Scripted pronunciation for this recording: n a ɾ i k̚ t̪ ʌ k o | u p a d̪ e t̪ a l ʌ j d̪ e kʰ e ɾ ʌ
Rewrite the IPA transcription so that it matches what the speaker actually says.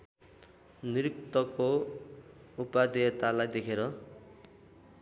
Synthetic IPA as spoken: n i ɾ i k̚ t̪ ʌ k o | u p a d̪ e t̪ a l a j d̪ e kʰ e ɾ ʌ